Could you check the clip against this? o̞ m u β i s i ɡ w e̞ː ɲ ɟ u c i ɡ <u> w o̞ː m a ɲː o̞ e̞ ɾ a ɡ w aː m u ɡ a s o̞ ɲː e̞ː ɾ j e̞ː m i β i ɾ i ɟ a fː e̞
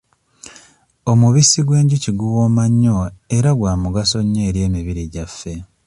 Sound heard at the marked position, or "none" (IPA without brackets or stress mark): u